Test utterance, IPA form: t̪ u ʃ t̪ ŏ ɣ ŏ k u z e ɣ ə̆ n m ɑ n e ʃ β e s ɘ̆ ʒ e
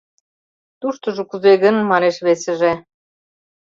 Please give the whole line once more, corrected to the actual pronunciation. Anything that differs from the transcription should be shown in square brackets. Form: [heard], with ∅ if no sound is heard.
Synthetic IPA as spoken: t̪ u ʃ t̪ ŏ [ʒ] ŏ k u z e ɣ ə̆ n m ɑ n e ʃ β e s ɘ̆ ʒ e